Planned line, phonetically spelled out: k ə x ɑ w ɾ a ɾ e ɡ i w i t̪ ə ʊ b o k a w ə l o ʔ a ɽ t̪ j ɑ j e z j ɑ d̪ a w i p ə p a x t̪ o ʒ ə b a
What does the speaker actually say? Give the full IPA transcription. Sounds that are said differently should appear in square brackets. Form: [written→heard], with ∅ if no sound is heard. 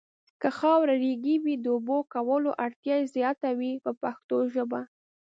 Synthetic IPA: k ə x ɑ w ɾ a ɾ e ɡ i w i [t̪→d̪] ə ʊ b o k a w ə l o ʔ a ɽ t̪ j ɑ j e z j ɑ [d̪→t̪] a w i p ə p a x t̪ o ʒ ə b a